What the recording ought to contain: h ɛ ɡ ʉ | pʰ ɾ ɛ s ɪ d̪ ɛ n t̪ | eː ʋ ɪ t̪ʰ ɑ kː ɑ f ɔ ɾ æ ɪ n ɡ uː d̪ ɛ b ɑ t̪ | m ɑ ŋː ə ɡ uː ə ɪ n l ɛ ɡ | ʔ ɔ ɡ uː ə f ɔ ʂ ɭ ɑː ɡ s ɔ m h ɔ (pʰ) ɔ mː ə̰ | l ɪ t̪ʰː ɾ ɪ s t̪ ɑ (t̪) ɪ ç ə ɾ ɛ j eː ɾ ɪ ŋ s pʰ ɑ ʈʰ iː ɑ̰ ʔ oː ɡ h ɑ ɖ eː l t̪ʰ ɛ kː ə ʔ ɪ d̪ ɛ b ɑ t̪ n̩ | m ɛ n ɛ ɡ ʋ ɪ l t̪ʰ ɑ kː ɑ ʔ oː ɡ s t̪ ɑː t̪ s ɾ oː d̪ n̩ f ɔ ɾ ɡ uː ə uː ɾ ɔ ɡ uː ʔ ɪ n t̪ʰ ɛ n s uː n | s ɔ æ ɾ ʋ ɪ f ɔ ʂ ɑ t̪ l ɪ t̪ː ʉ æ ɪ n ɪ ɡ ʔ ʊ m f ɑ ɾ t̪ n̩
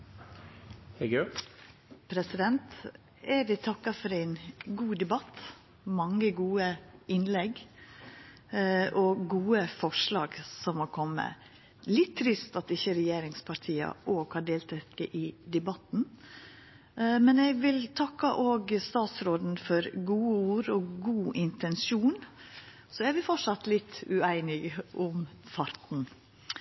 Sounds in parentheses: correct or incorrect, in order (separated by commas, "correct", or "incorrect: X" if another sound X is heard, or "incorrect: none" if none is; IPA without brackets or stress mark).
incorrect: kʰ, correct